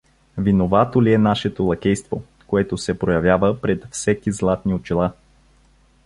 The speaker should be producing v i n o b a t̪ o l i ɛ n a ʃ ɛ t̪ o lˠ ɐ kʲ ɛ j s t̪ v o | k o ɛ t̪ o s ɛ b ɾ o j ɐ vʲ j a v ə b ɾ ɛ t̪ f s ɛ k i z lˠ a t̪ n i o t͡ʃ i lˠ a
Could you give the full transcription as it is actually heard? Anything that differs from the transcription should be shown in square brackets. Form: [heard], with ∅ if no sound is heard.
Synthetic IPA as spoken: v i n o [v] a t̪ o l i ɛ n a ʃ ɛ t̪ o lˠ ɐ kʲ ɛ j s t̪ v o | k o ɛ t̪ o s ɛ [p] ɾ o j ɐ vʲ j a v ə [p] ɾ ɛ t̪ f s ɛ k i z lˠ a t̪ n i o t͡ʃ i lˠ a